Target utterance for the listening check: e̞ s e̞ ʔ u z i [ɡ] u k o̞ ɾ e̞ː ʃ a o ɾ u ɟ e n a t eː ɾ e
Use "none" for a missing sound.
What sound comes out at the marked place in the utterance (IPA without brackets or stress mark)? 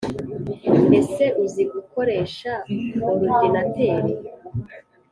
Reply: ɡ